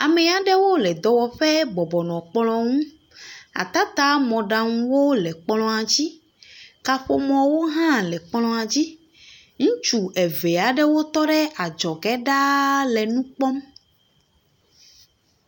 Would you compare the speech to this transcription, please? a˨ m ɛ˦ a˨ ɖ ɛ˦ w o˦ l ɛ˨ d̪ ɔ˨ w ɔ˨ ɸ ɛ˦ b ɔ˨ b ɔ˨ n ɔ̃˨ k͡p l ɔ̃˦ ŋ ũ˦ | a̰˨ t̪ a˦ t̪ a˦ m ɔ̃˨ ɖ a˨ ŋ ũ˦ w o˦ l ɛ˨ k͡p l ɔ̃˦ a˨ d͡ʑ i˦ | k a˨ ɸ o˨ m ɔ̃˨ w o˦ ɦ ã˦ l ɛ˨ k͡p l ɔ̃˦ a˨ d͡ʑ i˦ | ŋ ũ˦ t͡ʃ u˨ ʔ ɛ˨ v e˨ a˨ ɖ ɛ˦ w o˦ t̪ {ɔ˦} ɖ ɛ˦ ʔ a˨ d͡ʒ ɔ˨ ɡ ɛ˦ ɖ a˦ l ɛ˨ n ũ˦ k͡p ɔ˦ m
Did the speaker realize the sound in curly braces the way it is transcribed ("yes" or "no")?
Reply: yes